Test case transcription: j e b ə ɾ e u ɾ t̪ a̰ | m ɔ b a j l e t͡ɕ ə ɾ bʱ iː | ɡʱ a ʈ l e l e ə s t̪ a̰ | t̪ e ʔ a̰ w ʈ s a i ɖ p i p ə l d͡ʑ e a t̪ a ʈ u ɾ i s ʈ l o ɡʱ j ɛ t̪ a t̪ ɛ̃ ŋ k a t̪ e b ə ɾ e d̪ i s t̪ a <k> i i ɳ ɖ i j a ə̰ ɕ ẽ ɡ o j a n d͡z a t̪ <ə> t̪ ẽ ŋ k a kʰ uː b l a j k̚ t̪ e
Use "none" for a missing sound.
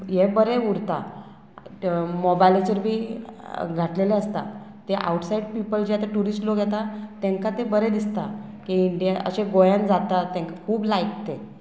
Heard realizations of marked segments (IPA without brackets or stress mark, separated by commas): k, a